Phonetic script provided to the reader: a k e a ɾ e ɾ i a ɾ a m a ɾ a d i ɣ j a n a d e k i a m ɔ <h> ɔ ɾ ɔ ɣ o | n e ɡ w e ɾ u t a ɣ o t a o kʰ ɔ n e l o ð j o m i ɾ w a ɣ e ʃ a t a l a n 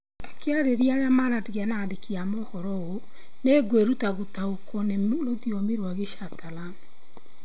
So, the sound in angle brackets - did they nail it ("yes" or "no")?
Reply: yes